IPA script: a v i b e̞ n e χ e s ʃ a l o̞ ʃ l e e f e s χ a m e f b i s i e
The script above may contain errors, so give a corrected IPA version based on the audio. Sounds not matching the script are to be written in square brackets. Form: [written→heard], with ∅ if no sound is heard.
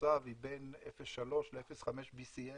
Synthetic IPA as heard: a v i b e̞ n e [χ→f] e s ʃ a l o̞ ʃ l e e f e s χ a m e [f→ʃ] b i s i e